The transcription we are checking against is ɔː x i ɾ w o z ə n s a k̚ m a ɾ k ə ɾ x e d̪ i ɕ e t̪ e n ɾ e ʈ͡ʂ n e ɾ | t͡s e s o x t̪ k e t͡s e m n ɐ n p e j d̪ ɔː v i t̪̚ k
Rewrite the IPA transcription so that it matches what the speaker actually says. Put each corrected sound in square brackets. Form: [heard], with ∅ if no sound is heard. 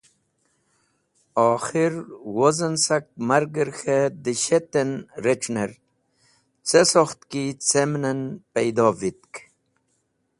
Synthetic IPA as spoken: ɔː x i ɾ w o z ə n s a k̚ m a ɾ [ɡ] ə ɾ x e d̪ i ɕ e t̪ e n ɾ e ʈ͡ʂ n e ɾ | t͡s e s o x t̪ k [i] t͡s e m n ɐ n p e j d̪ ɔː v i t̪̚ k